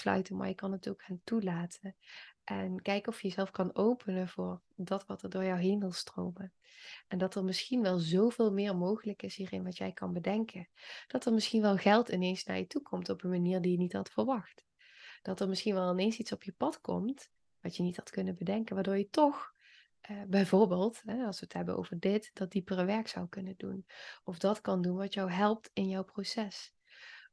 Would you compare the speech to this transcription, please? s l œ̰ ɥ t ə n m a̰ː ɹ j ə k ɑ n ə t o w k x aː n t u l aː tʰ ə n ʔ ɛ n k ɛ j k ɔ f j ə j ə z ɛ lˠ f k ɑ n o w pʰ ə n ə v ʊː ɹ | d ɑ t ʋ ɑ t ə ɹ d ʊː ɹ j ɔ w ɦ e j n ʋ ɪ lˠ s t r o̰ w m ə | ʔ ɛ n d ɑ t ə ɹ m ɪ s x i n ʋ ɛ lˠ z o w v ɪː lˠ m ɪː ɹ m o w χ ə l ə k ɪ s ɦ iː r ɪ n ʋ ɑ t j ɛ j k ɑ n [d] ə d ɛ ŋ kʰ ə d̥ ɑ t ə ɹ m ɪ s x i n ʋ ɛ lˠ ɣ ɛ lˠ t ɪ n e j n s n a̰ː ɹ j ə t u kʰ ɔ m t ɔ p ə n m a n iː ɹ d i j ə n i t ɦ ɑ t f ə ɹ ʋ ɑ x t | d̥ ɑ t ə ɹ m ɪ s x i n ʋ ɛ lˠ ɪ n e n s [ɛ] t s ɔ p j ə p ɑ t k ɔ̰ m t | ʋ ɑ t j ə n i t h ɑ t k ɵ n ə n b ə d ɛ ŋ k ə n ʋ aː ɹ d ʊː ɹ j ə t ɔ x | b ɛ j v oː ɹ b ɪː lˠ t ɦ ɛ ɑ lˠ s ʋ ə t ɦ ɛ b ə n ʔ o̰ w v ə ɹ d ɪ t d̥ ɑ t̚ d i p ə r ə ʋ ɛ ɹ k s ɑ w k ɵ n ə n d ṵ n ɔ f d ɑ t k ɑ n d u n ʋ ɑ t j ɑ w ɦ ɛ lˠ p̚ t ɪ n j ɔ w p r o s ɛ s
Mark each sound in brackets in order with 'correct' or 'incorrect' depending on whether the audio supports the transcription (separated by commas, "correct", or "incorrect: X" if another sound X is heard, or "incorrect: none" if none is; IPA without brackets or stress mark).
incorrect: b, incorrect: i